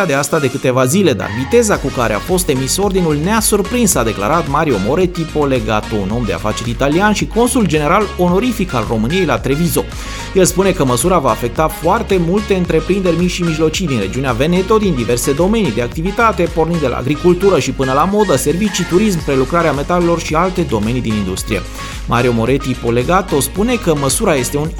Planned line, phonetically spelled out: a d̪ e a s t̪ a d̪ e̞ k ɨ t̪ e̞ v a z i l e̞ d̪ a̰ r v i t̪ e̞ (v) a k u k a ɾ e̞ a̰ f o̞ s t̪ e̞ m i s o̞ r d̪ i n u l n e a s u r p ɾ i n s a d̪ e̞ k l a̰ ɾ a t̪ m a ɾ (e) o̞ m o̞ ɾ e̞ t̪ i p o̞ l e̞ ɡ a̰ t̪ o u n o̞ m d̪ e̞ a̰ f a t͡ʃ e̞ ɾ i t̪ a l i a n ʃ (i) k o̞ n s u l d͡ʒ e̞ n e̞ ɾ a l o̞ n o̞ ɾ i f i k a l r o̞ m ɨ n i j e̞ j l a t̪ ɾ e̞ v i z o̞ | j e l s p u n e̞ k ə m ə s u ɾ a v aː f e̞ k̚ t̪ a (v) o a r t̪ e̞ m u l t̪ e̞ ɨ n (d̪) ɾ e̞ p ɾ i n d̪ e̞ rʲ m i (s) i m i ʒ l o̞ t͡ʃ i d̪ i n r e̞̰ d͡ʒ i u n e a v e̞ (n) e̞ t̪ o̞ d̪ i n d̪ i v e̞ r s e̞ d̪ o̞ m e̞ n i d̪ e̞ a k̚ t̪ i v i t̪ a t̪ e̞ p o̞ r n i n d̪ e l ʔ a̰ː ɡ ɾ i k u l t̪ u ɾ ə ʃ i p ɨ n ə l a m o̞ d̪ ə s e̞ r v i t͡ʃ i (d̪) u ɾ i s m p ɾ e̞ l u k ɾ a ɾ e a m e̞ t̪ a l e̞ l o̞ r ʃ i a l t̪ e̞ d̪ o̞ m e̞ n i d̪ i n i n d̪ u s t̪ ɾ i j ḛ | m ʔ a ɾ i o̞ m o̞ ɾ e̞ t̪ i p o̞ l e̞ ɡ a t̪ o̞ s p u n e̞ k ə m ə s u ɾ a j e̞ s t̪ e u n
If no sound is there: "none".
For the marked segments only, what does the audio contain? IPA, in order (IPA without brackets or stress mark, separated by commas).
z, i, i, f, t̪, ʃ, n, t̪